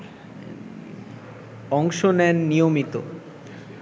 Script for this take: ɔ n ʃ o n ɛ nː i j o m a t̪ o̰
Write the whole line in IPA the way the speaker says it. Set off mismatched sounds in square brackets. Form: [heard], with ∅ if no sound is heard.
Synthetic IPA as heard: ɔ [ŋ] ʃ o n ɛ nː i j o m [i] t̪ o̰